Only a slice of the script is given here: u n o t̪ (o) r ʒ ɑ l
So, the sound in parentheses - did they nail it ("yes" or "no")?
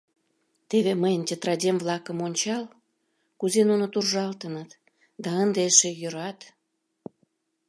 no